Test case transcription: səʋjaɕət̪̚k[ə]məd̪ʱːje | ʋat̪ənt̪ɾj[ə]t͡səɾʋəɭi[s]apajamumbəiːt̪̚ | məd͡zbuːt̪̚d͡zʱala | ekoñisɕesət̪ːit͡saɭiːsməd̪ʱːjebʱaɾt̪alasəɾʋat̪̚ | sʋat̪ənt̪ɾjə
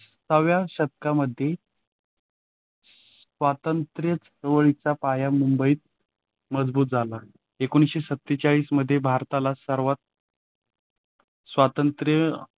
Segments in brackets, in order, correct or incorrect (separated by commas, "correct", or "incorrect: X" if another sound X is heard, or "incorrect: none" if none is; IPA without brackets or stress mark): incorrect: a, correct, incorrect: t͡s